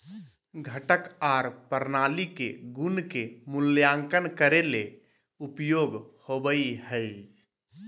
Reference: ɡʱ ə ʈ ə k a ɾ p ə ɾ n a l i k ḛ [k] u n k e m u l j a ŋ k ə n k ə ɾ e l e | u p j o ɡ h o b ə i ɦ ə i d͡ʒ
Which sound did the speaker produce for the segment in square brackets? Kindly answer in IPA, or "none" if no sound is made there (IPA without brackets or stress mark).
ɡ